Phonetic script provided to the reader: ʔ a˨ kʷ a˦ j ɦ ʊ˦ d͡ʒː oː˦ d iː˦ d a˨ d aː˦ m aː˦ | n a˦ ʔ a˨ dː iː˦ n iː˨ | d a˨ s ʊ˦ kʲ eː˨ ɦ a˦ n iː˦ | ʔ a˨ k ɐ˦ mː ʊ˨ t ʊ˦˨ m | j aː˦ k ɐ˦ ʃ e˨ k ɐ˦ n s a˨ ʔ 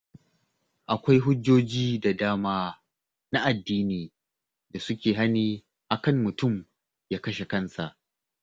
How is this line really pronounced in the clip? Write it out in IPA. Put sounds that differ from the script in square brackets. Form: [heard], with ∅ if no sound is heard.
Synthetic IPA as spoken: ʔ a˨ kʷ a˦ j ɦ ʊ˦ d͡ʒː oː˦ [d͡ʒ] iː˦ d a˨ d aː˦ m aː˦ | n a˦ ʔ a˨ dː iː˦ n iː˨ | d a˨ s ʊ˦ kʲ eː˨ ɦ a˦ n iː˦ | ʔ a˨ k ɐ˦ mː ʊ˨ t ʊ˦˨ m | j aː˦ k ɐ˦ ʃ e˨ k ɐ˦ n s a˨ ʔ